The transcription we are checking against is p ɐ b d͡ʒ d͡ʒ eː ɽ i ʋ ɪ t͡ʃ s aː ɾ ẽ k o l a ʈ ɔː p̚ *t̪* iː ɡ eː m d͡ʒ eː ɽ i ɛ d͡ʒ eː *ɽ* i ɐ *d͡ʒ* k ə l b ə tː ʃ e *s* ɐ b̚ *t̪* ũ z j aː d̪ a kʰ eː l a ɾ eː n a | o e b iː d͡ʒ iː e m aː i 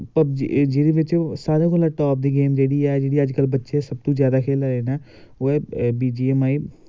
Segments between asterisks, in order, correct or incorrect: incorrect, correct, correct, correct, correct

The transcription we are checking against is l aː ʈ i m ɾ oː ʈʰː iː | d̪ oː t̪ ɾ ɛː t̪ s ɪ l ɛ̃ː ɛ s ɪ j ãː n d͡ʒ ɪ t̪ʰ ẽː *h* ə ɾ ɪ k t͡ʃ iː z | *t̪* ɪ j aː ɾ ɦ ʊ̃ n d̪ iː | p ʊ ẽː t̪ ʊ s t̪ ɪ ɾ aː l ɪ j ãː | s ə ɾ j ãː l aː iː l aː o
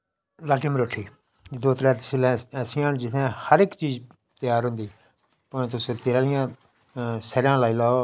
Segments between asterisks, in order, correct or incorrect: correct, correct

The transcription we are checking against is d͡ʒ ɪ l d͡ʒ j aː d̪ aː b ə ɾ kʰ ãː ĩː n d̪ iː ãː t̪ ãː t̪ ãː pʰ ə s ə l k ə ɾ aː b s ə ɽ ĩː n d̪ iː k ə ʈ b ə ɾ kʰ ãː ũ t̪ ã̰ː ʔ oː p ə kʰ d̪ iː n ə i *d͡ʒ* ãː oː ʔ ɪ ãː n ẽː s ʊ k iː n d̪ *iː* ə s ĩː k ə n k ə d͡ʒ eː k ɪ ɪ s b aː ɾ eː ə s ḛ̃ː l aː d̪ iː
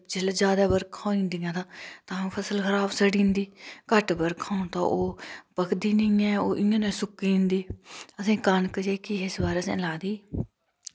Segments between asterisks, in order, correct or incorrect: incorrect, correct

